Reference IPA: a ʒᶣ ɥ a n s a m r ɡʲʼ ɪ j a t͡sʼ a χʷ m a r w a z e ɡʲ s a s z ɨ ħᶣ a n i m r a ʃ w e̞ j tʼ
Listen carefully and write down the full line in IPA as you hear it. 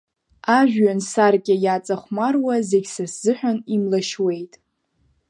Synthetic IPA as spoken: a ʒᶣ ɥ a n s a r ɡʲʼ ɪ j a t͡sʼ a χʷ m a r w a z e ɡʲ s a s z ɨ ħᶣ a n i m l a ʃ w e̞ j tʼ